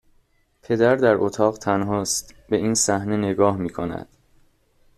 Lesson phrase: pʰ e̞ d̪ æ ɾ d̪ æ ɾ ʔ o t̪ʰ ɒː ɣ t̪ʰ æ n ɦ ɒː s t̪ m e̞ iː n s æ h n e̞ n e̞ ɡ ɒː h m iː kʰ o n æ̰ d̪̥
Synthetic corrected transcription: pʰ e̞ d̪ æ ɾ d̪ æ ɾ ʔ o t̪ʰ ɒː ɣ t̪ʰ æ n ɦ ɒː s t̪ b e̞ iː n s æ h n e̞ n e̞ ɡ ɒː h m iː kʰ o n æ̰ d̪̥